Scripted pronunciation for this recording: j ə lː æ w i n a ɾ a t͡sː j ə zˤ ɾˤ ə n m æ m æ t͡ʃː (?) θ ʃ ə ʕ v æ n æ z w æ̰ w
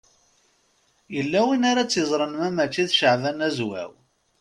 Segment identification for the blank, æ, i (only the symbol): i